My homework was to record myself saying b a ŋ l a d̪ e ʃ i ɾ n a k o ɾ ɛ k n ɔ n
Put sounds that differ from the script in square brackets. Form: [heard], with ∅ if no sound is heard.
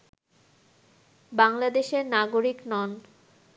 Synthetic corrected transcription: b a ŋ l a d̪ e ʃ [e] ɾ n a [ɡ] o ɾ [i] k n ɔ n